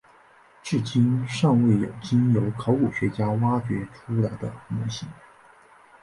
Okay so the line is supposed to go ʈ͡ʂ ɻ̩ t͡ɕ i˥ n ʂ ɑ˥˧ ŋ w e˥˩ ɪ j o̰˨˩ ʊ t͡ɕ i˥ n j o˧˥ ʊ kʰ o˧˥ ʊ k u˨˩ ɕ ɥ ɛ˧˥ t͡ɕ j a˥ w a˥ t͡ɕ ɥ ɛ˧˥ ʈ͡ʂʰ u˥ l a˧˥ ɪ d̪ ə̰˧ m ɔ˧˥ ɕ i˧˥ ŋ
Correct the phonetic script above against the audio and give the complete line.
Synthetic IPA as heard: ʈ͡ʂ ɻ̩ t͡ɕ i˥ n ʂ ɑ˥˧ ŋ w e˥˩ ɪ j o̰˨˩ ʊ t͡ɕ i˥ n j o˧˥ ʊ kʰ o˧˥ ʊ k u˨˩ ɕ ɥ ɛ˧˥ t͡ɕ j a˥ w a˥ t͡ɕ ɥ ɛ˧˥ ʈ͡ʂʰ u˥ l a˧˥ ɪ d̪ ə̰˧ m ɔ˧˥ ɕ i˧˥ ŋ